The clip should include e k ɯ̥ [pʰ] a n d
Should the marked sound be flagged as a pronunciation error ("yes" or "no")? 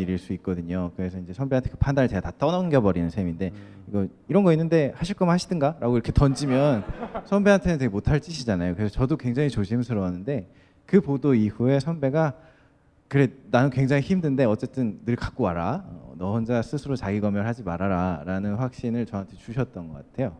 no